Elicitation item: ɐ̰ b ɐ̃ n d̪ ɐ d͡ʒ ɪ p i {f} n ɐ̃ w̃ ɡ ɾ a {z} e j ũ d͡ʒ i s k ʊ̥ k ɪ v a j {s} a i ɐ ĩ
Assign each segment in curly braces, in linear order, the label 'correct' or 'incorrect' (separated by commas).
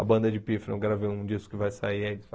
correct, incorrect, correct